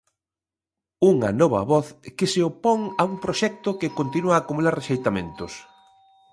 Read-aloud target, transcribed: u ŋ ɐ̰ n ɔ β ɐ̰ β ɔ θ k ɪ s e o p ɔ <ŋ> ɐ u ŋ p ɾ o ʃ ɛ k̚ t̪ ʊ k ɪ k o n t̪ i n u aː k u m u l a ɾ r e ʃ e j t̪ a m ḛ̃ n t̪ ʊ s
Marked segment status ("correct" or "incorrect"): correct